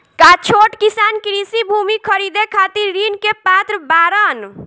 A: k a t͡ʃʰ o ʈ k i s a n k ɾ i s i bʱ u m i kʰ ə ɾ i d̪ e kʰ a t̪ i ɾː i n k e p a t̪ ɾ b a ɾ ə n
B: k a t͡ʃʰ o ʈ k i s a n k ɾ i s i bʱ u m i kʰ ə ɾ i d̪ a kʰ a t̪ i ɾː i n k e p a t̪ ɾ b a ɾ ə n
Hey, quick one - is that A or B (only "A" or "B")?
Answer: A